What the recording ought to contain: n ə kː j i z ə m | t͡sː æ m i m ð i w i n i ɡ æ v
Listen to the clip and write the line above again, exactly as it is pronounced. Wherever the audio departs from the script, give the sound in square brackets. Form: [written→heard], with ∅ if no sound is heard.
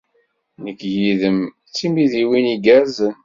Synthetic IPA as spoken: n ə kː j i [z→ð] ə m | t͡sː [æ→i] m i [m→∅] ð i w i n i ɡ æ [v→z]